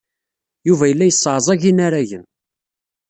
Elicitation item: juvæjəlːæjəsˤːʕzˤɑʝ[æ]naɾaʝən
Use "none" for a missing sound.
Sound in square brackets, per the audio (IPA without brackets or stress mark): i